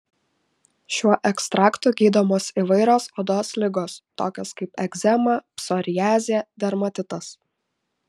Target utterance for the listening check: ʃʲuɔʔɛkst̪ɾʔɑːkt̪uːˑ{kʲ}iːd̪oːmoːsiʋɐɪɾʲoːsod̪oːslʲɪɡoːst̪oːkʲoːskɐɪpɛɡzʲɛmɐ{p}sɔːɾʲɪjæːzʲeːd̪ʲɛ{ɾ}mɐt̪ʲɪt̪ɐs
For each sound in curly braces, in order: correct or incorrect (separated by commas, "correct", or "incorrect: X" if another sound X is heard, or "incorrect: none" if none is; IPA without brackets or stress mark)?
incorrect: ɡʲ, correct, correct